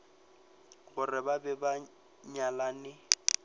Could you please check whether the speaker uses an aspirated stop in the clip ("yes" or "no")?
no